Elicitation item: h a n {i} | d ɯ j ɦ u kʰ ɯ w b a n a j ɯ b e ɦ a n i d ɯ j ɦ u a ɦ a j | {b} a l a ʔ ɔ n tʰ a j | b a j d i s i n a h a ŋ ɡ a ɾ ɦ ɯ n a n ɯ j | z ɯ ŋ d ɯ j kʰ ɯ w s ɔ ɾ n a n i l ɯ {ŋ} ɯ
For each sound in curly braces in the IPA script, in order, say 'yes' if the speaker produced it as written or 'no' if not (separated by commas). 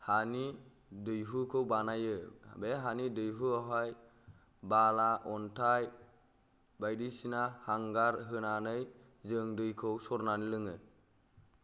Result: yes, yes, yes